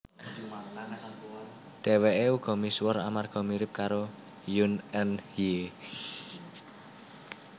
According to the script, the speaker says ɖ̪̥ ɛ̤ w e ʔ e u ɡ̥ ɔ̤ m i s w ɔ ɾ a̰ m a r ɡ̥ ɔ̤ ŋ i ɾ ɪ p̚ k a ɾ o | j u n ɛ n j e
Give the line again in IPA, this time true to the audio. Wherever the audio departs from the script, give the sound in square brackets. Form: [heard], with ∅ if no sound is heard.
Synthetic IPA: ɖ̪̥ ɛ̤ w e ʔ e u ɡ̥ ɔ̤ m i s w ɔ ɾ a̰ m a r ɡ̥ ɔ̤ [m] i ɾ ɪ p̚ k a ɾ o | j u n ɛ n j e